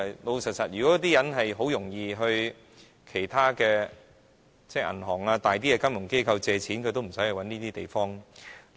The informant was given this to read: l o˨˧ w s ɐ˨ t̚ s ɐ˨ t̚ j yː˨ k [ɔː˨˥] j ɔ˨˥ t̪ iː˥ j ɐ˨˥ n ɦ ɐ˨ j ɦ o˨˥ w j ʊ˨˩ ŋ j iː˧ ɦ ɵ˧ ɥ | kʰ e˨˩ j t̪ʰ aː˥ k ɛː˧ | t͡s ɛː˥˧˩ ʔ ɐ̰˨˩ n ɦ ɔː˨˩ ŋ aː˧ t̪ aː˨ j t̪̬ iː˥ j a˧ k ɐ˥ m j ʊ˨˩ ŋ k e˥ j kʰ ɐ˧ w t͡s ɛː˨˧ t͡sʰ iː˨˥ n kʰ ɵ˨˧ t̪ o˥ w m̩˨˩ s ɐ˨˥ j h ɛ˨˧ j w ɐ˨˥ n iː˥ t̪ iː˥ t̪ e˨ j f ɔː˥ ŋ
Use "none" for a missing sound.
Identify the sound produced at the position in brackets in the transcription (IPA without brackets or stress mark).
ɔ˨˥